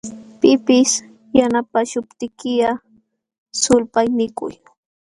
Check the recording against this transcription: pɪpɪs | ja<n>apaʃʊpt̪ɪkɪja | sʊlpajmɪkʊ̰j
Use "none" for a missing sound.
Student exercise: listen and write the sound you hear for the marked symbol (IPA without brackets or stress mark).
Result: n